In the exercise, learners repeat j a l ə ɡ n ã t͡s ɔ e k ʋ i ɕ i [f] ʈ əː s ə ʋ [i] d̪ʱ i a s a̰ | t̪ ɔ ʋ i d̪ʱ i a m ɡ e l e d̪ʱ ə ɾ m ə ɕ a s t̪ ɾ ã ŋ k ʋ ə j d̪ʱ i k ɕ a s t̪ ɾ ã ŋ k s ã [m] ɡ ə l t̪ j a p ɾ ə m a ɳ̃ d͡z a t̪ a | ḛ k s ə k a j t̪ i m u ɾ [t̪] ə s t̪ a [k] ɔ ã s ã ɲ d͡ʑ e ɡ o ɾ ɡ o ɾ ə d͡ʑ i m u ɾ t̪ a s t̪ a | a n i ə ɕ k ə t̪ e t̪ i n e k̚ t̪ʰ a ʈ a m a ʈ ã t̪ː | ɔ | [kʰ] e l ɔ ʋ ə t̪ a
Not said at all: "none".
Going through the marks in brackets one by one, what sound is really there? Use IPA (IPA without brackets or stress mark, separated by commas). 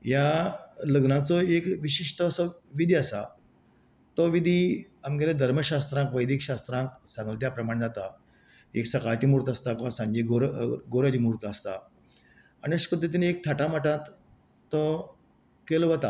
ʂ, i, ŋ, t̪, k, k